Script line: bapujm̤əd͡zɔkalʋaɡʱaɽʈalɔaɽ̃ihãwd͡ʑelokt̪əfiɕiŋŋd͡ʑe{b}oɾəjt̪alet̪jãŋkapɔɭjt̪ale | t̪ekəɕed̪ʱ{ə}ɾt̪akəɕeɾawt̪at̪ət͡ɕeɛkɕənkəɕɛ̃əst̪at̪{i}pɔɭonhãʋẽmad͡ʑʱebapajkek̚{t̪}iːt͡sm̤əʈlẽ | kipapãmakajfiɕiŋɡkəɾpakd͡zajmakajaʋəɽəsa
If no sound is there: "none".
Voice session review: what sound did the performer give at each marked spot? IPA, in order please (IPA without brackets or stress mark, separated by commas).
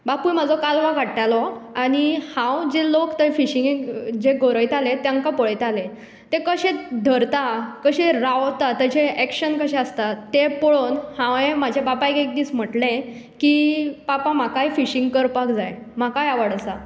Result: ɡ, ə, e, d̪